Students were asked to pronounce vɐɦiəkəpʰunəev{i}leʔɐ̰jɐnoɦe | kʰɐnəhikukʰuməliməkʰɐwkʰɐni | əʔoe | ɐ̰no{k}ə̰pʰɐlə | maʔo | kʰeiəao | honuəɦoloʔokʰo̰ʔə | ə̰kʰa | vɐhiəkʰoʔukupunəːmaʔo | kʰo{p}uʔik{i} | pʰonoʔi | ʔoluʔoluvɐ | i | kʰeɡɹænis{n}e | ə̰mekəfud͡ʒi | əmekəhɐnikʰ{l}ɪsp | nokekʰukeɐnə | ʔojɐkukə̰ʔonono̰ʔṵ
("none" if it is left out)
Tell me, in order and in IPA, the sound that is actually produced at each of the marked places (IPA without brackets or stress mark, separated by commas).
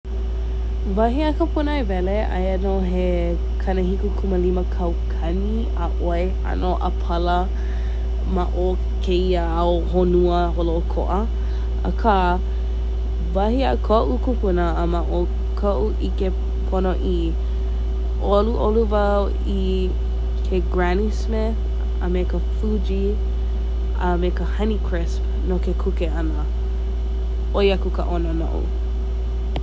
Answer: ɛ, ʔ, ʔ, e, m, ɹ